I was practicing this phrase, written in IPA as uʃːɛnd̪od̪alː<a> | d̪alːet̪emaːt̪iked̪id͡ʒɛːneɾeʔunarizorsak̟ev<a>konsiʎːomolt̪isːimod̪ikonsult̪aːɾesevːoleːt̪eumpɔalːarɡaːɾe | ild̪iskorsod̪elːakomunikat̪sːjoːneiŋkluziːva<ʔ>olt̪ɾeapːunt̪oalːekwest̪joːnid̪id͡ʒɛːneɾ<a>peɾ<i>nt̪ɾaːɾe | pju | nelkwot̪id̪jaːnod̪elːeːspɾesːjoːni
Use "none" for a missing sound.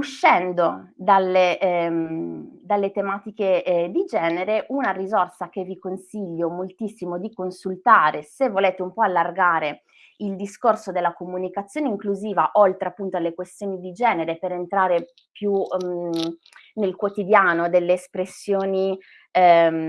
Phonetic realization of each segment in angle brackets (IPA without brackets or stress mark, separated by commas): e, i, ʔ, e, e